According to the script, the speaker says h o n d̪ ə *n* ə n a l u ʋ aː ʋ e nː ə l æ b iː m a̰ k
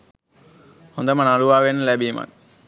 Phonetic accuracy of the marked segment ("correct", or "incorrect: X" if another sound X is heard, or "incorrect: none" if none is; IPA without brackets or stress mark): incorrect: m